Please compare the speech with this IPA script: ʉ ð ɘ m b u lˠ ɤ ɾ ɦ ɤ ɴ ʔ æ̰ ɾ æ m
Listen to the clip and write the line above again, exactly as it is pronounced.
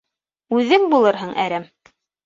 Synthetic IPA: ʉ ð ɘ ŋ b u lˠ ɤ ɾ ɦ ɤ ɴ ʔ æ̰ ɾ æ m